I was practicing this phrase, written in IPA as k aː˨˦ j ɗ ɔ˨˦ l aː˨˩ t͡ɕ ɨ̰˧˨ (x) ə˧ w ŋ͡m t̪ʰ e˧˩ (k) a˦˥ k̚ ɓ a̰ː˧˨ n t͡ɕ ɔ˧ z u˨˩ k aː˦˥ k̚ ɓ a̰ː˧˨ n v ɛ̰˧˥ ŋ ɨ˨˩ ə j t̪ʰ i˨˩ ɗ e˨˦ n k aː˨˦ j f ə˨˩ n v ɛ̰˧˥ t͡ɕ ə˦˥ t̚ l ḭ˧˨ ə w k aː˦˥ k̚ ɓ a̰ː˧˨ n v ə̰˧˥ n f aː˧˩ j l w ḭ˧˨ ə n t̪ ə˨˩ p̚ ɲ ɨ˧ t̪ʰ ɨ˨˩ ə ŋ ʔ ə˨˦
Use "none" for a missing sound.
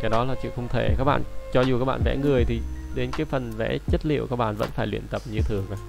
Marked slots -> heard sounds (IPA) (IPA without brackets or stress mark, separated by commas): x, k